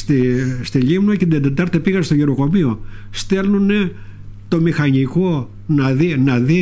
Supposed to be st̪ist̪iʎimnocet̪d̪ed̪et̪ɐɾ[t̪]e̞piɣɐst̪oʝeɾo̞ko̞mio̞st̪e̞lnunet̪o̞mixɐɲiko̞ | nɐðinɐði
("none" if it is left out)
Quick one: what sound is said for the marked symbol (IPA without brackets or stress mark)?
t̪